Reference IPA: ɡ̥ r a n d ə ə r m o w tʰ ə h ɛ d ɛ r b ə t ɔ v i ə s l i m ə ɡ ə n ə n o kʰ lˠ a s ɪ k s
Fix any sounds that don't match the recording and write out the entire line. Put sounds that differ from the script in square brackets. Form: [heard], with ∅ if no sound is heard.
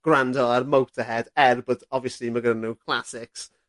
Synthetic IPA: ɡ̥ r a n d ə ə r m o w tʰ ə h ɛ d ɛ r b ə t ɔ v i ə s l i m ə ɡ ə n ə n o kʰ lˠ a s ɪ k s